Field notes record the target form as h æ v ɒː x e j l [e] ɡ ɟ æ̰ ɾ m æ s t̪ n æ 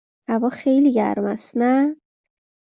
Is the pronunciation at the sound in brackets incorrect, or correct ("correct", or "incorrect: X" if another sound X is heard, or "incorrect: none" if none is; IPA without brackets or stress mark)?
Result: incorrect: i